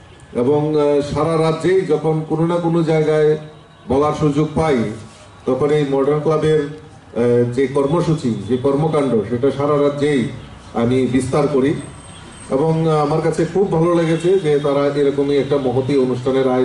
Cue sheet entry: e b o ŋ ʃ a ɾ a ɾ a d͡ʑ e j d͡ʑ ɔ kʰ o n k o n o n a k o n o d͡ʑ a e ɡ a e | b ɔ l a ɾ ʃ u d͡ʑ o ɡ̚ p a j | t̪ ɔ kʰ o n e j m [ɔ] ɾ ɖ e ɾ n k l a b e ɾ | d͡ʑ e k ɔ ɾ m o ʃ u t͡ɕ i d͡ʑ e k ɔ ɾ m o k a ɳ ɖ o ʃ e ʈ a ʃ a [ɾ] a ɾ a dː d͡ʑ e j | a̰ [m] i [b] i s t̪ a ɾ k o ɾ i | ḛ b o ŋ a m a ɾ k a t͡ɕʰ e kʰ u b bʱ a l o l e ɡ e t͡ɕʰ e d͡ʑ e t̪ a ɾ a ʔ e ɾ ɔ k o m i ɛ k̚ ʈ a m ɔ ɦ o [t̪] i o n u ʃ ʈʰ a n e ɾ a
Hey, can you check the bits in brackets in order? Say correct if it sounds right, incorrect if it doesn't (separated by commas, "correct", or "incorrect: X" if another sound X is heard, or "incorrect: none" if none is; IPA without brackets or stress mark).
correct, correct, correct, correct, correct